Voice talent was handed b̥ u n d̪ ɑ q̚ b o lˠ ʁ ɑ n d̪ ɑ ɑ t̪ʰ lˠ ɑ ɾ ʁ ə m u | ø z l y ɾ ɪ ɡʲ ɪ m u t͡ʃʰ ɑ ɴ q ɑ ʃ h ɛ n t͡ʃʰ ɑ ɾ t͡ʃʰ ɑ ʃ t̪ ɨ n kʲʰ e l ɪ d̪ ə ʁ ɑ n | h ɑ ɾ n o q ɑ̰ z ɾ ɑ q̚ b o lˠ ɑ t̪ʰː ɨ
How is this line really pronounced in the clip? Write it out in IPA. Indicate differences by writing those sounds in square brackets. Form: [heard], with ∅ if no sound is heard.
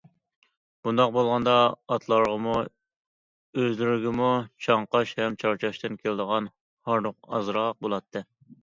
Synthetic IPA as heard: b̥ u n d̪ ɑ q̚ b o lˠ ʁ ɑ n d̪ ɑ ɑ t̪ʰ lˠ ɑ ɾ ʁ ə m u | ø z l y ɾ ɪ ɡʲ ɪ m u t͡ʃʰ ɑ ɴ q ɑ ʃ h ɛ [m] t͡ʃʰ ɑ ɾ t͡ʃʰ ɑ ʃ t̪ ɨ n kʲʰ e l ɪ d̪ ə ʁ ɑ n | h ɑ ɾ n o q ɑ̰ z ɾ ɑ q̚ b o lˠ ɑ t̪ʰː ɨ